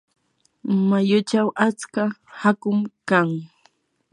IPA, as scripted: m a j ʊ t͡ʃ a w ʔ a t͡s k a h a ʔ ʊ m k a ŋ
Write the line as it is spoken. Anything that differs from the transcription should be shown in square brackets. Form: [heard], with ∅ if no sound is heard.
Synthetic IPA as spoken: m a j ʊ t͡ʃ a w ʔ a t͡s k a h a [k] ʊ m k a ŋ